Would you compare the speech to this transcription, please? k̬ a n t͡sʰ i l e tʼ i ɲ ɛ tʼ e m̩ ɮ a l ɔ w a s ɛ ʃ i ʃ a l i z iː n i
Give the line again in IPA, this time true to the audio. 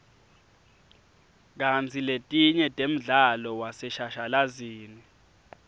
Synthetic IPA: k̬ a n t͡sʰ i l e tʼ i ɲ ɛ tʼ e m̩ ɮ a l ɔ w a s ɛ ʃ a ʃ a l a z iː n i